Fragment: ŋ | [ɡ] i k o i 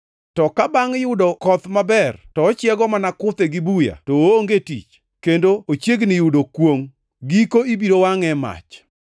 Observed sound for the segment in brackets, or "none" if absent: ɡ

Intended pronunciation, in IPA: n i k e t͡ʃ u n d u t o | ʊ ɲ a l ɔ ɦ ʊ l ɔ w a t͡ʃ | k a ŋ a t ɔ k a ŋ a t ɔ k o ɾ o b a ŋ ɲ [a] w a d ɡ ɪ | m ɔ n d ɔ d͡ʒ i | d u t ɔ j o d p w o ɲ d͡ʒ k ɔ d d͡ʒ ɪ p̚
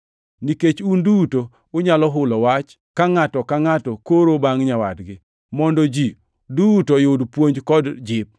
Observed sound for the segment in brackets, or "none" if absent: a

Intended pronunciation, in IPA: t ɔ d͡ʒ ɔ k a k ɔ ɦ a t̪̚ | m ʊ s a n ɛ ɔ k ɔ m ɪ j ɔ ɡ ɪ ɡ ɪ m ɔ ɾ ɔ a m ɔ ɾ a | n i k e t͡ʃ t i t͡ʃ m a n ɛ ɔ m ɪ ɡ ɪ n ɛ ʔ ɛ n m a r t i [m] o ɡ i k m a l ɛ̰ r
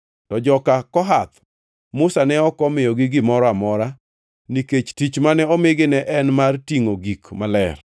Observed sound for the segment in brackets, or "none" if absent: ŋ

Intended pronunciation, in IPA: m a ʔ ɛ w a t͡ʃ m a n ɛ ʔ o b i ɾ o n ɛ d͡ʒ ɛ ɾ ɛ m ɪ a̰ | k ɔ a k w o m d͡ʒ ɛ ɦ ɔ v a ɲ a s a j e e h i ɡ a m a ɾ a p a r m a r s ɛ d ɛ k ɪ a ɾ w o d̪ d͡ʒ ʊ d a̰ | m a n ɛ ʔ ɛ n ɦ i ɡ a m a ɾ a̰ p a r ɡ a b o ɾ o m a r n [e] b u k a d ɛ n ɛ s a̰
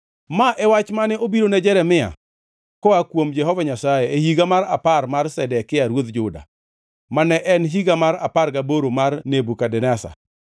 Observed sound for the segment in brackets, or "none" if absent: e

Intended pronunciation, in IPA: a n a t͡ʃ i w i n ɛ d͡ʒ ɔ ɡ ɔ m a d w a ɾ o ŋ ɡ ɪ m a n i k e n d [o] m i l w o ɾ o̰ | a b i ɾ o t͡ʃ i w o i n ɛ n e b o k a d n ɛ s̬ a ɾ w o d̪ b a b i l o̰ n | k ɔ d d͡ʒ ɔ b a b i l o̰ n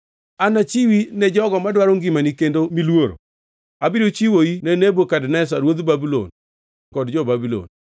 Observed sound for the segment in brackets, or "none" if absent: o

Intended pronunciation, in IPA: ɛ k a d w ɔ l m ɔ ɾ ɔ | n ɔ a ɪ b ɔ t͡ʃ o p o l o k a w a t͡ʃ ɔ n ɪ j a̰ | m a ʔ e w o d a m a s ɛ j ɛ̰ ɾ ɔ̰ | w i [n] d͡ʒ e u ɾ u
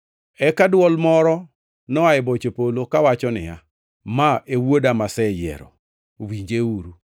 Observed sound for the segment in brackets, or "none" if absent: ɲ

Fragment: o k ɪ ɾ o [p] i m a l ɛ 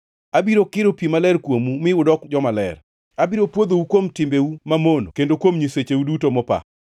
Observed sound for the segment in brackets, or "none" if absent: p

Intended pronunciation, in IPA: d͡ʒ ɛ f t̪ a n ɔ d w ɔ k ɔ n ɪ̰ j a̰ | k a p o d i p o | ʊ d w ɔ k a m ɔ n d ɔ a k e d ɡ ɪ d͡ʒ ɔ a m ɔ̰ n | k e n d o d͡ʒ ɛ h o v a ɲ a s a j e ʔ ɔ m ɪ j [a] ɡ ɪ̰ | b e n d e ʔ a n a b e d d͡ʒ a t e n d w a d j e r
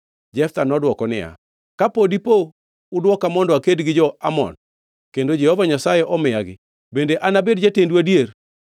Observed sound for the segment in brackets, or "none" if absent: a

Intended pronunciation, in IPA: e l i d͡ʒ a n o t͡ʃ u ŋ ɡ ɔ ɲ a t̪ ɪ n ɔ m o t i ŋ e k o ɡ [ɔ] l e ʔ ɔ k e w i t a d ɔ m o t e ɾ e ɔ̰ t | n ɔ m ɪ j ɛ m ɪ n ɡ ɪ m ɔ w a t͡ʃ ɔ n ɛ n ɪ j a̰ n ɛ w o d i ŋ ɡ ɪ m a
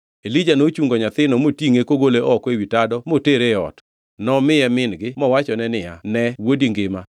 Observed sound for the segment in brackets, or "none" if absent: o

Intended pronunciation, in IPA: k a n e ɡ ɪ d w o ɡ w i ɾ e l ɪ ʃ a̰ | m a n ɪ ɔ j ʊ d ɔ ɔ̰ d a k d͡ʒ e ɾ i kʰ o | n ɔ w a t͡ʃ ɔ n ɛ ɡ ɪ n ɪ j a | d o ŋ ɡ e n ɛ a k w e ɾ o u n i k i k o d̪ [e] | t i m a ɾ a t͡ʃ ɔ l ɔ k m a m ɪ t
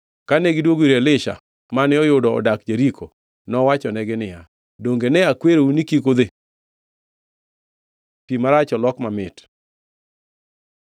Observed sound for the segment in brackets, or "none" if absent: e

